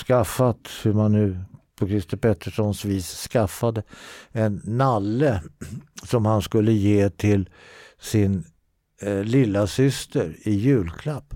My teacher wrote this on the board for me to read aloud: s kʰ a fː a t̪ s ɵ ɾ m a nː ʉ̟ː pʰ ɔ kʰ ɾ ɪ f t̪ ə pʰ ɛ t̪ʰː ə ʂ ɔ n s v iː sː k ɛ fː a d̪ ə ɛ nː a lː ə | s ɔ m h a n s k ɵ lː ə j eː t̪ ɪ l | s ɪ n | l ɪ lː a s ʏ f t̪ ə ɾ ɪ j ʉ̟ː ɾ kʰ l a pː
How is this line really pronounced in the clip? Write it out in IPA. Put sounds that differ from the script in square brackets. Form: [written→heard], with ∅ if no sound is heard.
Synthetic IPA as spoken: s [kʰ→k] a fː a t̪ [s→h] ɵ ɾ m a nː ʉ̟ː pʰ ɔ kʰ ɾ ɪ [f→s] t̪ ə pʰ ɛ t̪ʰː ə ʂ ɔ n s v iː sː k [ɛ→a] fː a d̪ ə ɛ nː a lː ə | s ɔ m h a n s k ɵ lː ə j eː [t̪→t̪ʰ] ɪ l | s ɪ n | l ɪ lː a s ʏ [f→s] t̪ ə ɾ ɪ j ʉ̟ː [ɾ→l] kʰ l a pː